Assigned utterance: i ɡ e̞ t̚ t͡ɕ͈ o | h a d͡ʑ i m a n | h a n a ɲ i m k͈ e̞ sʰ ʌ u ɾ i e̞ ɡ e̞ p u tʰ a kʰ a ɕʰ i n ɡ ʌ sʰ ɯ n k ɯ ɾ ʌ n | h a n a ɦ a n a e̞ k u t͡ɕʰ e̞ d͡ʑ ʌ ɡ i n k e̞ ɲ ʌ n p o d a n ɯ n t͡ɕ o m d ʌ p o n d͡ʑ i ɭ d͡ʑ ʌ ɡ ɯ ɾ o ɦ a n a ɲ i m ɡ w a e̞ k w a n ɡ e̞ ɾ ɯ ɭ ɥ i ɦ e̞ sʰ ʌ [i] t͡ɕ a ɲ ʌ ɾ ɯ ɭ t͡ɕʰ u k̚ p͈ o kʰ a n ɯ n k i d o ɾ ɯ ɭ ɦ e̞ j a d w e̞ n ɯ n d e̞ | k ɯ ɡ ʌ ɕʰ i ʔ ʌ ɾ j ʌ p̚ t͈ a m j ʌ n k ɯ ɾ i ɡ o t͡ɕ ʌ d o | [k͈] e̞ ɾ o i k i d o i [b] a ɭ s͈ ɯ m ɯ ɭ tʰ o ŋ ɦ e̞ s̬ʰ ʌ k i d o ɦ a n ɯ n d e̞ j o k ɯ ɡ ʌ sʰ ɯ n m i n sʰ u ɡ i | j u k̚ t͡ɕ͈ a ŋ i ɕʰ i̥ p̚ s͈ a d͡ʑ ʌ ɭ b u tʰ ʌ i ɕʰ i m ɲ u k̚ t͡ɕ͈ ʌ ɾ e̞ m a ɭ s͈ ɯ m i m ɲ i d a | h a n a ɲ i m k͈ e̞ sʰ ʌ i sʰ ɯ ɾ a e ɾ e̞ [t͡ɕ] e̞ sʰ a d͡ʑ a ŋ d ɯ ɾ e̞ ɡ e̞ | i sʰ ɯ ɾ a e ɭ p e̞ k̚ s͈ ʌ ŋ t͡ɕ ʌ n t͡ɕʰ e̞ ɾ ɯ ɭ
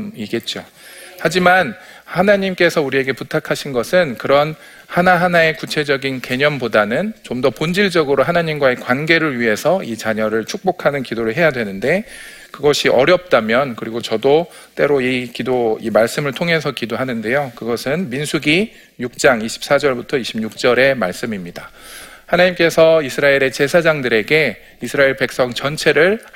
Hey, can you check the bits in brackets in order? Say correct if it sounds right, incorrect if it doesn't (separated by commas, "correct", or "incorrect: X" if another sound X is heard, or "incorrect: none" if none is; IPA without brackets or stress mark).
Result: correct, incorrect: t͈, incorrect: m, correct